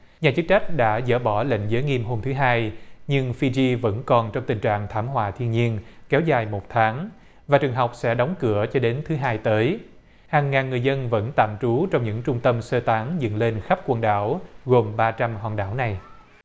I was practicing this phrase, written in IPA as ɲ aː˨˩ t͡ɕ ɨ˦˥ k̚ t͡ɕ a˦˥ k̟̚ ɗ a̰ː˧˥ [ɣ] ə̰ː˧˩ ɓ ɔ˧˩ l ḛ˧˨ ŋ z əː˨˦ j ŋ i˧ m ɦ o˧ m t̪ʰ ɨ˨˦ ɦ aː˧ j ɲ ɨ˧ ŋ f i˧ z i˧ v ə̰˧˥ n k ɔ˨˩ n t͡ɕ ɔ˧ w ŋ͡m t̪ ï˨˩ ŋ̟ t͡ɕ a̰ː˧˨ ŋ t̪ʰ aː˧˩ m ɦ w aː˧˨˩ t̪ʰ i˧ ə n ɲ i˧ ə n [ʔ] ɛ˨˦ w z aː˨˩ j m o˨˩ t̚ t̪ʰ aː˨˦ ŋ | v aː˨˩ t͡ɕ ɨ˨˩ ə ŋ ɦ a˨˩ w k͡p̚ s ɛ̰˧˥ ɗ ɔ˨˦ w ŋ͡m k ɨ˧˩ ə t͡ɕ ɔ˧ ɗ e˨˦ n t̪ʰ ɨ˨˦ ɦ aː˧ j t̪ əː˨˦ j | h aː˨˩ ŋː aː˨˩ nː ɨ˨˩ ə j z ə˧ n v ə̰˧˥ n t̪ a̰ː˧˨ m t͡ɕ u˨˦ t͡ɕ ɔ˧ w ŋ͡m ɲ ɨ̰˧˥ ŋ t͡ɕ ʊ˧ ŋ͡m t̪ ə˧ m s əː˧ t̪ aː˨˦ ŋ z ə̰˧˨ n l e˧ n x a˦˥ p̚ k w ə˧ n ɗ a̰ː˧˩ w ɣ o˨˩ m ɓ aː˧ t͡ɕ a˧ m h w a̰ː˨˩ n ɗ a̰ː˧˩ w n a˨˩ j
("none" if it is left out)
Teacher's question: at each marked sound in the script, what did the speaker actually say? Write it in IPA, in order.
z, k

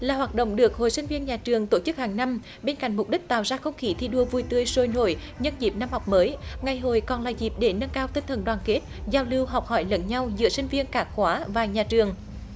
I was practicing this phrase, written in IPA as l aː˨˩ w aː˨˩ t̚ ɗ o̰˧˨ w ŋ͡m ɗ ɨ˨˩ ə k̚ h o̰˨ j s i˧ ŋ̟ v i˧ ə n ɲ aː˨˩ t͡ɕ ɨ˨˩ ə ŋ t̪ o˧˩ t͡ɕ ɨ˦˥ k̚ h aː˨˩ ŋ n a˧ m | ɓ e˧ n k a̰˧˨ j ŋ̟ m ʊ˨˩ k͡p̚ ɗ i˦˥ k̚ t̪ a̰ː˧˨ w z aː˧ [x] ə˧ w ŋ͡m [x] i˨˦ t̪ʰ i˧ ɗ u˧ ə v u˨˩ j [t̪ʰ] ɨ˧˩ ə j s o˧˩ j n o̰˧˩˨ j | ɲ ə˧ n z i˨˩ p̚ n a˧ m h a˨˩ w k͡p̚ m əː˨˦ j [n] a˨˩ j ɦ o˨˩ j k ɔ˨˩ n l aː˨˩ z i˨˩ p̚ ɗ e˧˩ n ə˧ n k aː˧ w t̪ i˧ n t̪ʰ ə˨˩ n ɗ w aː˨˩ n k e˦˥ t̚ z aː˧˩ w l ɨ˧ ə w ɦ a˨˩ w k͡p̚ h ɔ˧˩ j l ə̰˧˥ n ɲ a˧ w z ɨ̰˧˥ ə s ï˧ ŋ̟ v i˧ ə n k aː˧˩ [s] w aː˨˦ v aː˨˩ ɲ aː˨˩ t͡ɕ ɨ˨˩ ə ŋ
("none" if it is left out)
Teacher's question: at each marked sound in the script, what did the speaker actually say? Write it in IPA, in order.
x, x, t̪, ŋ, x

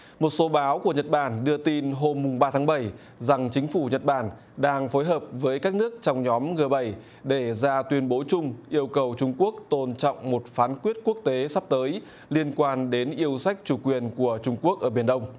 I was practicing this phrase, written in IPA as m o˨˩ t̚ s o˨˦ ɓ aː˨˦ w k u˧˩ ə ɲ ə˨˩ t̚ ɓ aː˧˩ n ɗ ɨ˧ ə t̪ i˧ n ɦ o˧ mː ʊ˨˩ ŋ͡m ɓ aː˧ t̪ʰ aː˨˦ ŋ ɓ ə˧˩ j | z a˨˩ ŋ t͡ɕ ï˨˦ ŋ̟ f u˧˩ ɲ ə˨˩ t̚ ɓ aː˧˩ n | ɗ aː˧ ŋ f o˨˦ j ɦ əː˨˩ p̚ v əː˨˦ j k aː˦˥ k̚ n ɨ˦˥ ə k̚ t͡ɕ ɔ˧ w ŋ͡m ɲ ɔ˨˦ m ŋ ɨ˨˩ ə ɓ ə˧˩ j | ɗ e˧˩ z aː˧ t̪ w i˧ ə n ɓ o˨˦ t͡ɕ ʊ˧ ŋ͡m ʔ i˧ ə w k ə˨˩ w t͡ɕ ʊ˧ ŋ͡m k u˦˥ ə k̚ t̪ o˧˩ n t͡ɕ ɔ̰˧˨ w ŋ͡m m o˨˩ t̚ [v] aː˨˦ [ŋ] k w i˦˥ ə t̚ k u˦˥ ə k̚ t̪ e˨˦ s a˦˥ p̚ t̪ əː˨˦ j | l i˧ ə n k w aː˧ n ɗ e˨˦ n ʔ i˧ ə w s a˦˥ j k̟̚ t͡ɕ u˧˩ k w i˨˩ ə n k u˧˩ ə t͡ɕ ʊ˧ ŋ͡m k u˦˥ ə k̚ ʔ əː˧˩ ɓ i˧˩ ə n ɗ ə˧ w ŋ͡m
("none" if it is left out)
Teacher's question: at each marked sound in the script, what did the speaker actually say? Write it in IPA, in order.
f, n

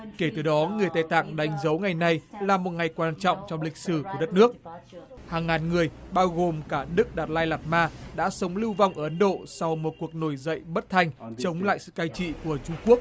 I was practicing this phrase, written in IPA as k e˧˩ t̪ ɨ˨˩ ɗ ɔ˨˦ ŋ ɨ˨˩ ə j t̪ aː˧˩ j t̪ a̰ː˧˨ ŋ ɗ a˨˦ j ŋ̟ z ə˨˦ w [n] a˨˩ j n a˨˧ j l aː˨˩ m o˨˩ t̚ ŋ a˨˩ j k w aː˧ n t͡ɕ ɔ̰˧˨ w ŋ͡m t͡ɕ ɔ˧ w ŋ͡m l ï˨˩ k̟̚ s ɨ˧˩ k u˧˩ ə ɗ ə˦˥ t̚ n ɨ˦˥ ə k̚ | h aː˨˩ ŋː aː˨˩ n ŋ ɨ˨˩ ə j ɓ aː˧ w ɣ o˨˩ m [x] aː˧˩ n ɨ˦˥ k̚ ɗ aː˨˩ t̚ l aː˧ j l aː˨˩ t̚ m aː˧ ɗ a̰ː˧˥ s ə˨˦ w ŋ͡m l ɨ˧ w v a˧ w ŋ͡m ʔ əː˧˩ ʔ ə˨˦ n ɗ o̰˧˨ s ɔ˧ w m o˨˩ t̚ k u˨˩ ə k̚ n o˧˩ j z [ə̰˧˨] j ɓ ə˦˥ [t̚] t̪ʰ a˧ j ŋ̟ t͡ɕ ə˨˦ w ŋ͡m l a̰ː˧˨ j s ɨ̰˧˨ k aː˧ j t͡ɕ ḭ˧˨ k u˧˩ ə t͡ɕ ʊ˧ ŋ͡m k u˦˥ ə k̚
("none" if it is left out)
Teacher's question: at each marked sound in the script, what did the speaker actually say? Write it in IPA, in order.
ŋ, k, ə̰˧˨, t̚

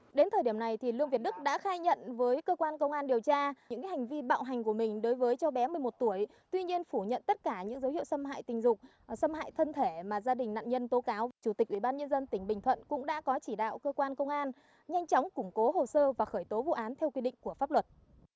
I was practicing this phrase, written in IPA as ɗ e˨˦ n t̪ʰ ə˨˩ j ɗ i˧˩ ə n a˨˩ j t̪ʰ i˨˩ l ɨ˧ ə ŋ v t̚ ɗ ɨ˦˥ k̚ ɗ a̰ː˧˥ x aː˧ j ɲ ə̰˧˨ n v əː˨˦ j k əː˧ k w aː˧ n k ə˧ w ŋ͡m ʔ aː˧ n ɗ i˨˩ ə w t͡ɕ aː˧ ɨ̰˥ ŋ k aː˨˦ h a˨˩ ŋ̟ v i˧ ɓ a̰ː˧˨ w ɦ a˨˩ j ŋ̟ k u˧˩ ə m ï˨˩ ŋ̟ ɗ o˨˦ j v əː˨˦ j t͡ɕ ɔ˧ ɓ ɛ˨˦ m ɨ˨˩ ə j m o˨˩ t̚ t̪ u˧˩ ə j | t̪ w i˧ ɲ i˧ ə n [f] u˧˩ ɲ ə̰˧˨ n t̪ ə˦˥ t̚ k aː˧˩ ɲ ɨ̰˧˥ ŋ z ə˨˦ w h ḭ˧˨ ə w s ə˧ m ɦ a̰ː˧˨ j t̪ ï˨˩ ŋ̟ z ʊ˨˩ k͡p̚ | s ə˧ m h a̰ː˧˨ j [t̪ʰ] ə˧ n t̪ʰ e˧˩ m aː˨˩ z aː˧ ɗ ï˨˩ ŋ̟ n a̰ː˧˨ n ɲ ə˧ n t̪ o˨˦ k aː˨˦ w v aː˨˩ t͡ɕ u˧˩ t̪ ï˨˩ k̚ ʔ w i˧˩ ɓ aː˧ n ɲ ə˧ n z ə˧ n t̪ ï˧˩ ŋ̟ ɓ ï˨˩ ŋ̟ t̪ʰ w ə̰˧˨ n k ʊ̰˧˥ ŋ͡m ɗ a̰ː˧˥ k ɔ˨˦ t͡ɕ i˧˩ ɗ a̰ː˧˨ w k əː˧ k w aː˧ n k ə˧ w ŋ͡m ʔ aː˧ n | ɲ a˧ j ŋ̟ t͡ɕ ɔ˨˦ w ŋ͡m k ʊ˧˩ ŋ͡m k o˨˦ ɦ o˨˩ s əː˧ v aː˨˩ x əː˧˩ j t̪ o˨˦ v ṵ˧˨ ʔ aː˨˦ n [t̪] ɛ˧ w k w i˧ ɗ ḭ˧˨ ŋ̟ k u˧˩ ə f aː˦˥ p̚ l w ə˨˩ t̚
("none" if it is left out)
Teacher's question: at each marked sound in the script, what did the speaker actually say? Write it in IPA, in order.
f, t̪ʰ, t̪ʰ

